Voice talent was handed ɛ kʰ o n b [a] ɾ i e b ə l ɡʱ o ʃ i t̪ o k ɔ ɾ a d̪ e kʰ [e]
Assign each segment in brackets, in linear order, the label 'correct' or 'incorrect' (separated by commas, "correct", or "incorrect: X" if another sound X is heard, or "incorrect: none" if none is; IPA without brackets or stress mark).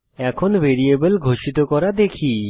incorrect: e, incorrect: i